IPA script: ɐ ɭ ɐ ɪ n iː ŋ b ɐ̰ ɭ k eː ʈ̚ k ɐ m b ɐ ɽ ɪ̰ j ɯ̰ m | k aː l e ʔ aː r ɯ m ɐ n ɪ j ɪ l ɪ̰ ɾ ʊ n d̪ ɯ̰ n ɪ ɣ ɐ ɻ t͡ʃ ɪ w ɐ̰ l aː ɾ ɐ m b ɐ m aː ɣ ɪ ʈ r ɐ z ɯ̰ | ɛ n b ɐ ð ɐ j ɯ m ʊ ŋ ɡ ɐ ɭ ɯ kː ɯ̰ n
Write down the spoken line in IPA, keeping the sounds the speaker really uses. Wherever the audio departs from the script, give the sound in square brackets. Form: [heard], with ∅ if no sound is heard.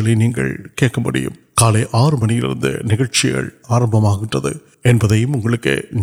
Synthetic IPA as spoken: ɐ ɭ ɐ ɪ n iː ŋ [ɡ] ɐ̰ ɭ k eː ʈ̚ k ɐ m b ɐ ɽ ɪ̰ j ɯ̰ m | k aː l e ʔ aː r ɯ m ɐ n ɪ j ɪ l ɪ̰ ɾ [ɯ] n d̪ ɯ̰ n ɪ ɣ ɐ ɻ t͡ʃ ɪ [ɣ] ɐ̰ [ɭ] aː ɾ ɐ m b ɐ m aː ɣ ɪ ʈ r ɐ [ð] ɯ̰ | ɛ n b ɐ ð ɐ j ɯ m ʊ ŋ ɡ ɐ ɭ ɯ kː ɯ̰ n